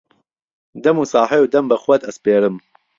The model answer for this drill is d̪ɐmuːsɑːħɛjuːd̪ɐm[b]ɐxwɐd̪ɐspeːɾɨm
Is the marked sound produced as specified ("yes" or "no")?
yes